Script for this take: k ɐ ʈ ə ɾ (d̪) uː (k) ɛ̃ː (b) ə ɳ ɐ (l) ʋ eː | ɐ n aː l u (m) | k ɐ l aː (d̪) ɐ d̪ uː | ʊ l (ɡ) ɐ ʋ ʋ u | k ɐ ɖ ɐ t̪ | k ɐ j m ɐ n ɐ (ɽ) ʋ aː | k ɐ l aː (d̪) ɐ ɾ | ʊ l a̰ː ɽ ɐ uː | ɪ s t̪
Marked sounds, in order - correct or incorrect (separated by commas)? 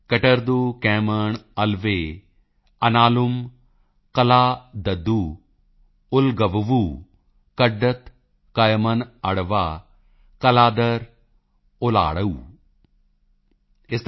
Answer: correct, correct, incorrect, correct, correct, correct, correct, correct, correct